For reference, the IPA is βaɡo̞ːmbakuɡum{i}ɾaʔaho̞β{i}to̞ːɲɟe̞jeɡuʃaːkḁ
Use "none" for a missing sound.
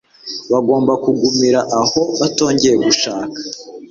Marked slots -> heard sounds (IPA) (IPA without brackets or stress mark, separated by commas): i, a